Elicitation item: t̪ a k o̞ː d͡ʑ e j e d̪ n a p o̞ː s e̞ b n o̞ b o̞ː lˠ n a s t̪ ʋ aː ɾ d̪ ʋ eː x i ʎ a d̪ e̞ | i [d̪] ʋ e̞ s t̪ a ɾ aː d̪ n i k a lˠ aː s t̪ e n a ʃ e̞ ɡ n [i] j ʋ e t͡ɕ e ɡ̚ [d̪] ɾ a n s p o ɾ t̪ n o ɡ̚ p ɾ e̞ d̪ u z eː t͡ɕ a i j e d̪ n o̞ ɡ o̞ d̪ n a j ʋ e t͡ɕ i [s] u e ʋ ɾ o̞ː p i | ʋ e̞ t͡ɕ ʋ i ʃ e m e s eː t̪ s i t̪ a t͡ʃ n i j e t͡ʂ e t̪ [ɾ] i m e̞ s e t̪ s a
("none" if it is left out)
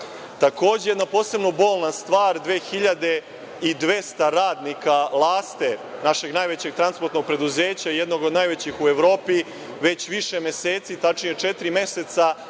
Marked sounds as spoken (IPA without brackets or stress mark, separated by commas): d̪, a, t̪, x, ɾ